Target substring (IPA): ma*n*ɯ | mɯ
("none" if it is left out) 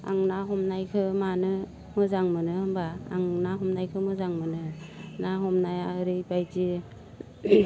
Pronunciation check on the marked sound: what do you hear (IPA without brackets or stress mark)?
n